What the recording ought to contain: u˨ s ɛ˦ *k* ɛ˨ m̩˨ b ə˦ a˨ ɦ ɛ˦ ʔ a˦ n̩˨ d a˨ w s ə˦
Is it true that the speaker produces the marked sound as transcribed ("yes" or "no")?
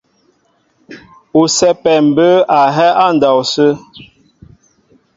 no